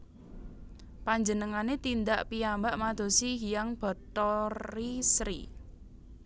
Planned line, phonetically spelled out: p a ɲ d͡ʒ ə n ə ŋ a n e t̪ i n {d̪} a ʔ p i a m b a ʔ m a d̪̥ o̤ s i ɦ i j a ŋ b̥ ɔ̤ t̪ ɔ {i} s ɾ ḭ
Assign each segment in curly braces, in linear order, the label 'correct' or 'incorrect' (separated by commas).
correct, correct